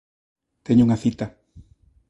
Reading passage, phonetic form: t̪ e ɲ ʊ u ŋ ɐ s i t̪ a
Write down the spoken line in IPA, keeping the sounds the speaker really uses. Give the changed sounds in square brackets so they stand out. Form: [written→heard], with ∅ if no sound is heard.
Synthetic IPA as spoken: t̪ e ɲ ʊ u ŋ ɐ [s→θ] i t̪ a